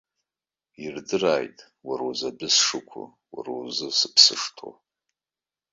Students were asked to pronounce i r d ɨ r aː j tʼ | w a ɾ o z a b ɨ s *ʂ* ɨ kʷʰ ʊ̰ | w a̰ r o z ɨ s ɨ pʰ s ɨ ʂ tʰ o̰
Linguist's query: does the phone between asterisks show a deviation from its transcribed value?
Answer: no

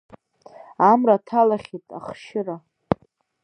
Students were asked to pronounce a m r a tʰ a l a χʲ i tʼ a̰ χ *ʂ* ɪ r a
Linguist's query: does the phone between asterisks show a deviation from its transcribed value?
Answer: yes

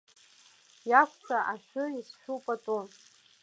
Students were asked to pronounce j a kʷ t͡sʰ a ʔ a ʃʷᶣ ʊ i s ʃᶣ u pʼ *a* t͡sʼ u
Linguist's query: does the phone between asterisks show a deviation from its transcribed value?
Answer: no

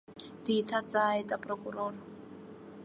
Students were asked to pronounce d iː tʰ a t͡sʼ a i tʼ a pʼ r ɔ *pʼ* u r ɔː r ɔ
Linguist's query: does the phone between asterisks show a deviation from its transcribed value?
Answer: yes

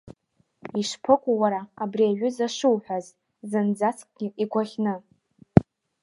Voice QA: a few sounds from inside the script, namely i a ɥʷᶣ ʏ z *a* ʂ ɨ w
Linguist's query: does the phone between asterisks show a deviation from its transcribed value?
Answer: no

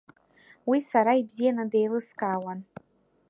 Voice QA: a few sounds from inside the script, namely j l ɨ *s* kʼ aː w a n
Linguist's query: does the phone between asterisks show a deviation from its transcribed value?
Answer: no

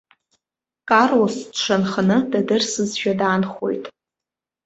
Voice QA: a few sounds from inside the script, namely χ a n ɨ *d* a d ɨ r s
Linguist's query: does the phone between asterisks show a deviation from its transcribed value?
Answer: no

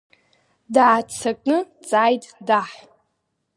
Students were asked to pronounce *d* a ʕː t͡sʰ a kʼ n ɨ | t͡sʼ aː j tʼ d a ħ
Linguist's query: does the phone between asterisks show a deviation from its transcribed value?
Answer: no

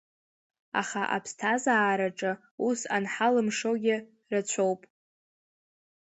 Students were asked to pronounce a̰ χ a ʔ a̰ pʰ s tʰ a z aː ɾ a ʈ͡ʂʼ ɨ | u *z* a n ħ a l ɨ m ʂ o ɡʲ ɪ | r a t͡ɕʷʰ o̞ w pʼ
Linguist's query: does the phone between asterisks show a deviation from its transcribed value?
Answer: yes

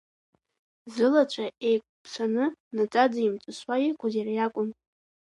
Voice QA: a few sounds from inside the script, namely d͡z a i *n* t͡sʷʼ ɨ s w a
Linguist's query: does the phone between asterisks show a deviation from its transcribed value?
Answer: yes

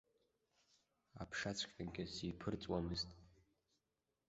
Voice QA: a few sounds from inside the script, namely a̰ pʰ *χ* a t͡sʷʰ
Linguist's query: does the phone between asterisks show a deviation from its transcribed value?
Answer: yes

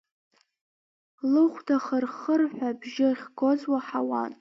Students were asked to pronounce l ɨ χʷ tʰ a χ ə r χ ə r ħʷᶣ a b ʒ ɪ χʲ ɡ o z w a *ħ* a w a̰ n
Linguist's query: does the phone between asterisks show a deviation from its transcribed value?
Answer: no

